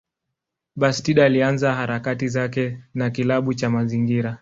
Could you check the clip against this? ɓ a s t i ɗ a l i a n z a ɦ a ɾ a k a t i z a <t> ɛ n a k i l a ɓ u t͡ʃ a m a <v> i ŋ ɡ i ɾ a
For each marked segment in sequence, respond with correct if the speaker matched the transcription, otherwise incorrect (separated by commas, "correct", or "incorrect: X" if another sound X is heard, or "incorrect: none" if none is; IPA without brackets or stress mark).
incorrect: k, incorrect: z